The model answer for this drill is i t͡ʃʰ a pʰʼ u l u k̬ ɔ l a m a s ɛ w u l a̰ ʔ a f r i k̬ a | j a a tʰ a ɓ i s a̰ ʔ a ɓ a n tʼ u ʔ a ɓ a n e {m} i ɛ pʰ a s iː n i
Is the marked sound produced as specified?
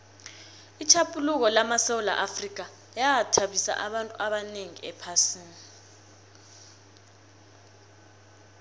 no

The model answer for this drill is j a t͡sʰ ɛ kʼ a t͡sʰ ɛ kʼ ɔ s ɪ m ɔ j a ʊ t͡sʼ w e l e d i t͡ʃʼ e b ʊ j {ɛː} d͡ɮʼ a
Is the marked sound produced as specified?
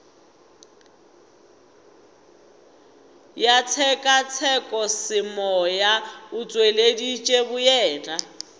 yes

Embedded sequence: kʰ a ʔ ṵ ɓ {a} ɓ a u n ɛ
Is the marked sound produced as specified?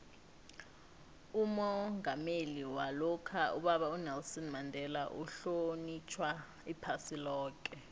yes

